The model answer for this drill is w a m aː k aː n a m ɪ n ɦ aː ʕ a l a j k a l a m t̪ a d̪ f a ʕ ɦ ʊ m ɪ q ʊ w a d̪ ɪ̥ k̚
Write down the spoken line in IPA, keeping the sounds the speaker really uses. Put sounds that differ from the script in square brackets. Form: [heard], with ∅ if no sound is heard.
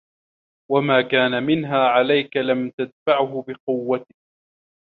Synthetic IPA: w a m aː k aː n a m ɪ n ɦ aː ʕ a l a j k a l a m t̪ a d̪ f a ʕ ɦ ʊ [b] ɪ q ʊ [wː] a [t̪] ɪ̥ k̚

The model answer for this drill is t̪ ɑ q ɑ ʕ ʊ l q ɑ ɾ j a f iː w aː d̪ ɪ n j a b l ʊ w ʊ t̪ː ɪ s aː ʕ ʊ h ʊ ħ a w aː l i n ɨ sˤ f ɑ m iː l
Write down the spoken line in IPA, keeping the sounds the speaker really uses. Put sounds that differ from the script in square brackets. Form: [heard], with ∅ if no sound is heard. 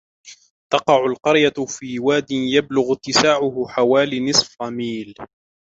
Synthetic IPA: t̪ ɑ q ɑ ʕ ʊ l q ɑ ɾ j a f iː w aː d̪ ɪ n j a b l ʊ [ɣ] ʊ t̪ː ɪ s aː ʕ ʊ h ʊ ħ a w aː l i n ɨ sˤ f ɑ m iː l

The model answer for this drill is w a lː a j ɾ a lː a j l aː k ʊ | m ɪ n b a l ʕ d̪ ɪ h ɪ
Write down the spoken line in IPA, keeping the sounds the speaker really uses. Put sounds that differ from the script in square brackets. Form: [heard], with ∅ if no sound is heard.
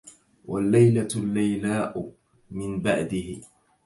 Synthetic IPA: w a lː a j [l] a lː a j l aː [ʔ] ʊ | m ɪ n b a [∅] ʕ d̪ ɪ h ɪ

